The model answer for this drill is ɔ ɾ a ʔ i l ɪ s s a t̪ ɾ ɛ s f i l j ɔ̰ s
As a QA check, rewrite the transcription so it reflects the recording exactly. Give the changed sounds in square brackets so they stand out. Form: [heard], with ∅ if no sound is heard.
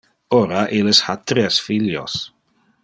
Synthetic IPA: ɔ ɾ a ʔ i l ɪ s [h] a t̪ ɾ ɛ s f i l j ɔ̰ s